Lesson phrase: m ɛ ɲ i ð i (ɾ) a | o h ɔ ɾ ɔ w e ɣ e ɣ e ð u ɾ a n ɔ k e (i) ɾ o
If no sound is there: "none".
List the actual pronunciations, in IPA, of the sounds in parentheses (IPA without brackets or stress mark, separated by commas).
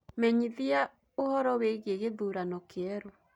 none, ɛ